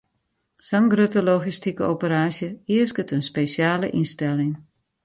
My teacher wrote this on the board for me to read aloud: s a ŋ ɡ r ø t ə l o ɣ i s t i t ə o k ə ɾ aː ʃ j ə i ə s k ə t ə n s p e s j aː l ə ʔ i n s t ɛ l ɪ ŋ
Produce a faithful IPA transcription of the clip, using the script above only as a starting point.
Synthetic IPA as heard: s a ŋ ɡ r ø t ə l o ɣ i s t i k ə o p ə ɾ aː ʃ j ə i ə s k ə t ə n s p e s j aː l ə ʔ i n s t ɛ l ɪ ŋ